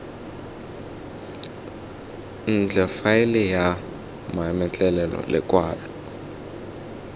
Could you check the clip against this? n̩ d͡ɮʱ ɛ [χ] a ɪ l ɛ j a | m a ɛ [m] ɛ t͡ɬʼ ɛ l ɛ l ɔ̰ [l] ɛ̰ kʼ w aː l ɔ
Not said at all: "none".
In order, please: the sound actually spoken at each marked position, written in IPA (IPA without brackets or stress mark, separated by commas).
f, m, l